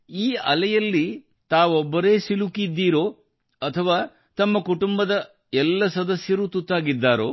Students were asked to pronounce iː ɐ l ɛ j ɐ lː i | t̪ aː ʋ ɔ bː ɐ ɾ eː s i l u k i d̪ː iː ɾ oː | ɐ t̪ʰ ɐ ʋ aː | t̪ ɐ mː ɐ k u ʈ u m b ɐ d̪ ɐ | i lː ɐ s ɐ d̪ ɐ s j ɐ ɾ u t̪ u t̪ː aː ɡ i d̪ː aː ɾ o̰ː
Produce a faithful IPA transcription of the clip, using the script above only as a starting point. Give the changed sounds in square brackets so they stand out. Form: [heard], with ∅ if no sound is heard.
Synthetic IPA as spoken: iː ɐ l ɛ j ɐ lː i | t̪ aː ʋ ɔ bː ɐ ɾ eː s i l u k i d̪ː iː ɾ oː | ɐ t̪ʰ ɐ ʋ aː | t̪ ɐ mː ɐ k u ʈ u m b ɐ d̪ ɐ | [ɛ] lː ɐ s ɐ d̪ ɐ s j ɐ ɾ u t̪ u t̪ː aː ɡ i d̪ː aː ɾ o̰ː